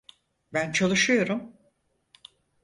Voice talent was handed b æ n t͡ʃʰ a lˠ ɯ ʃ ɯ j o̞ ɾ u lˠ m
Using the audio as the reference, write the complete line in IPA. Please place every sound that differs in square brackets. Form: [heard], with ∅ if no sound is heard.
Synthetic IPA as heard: b æ n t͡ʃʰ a lˠ ɯ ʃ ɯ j o̞ ɾ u [∅] m